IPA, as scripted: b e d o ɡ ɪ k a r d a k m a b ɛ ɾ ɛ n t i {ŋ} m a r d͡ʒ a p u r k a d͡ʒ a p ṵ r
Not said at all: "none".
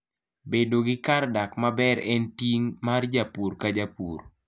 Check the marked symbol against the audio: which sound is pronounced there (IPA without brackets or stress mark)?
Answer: ŋ